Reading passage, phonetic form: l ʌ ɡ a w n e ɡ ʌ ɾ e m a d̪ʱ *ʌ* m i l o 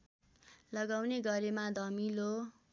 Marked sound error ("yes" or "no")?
no